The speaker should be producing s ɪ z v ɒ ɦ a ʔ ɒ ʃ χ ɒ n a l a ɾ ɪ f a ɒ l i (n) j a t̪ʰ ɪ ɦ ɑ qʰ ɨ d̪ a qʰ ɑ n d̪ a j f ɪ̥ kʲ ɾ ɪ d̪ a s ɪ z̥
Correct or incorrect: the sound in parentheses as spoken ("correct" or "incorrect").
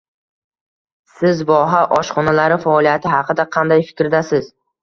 incorrect